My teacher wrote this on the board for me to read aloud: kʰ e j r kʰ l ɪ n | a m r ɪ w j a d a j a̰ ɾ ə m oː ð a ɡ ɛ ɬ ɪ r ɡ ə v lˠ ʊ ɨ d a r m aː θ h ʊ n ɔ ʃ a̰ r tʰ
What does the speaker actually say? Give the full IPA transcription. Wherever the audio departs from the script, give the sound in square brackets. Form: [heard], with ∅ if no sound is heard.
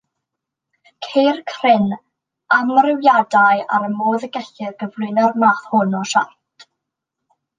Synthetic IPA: kʰ e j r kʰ [r] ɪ n | a m r ɪ w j a d a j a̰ ɾ ə m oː ð [ə] ɡ ɛ ɬ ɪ r ɡ ə v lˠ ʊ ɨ [n] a r m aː θ h ʊ n ɔ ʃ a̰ r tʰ